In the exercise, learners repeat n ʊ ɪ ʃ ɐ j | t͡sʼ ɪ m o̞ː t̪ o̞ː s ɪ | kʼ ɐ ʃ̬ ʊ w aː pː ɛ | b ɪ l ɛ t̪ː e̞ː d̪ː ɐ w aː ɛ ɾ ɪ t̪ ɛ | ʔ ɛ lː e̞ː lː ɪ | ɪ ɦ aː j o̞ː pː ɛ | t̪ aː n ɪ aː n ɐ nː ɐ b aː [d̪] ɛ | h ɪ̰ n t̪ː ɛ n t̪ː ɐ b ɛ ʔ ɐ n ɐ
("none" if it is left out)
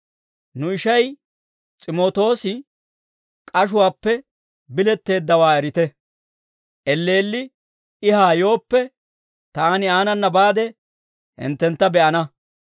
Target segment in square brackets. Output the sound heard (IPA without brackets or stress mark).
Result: d̪